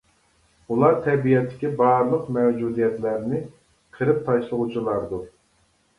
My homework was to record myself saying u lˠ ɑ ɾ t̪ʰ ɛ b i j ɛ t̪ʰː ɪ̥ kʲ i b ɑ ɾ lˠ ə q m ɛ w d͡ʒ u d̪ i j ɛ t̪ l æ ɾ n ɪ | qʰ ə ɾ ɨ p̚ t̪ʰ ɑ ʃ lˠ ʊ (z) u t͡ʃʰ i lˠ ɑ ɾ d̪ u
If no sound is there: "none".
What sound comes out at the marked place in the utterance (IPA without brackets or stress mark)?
ʁ